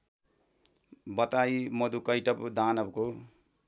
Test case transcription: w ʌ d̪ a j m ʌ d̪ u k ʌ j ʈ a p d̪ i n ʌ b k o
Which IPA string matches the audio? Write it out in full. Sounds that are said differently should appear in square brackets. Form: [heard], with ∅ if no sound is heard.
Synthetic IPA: [b] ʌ [t̪] a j m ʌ d̪ u k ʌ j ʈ [ʌ] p d̪ [a] n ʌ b k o